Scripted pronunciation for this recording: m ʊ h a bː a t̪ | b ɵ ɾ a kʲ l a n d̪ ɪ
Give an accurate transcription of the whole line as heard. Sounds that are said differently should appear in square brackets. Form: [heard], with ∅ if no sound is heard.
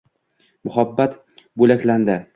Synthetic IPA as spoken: m ʊ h a bː a t̪ | b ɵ [l] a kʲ l a n d̪ ɪ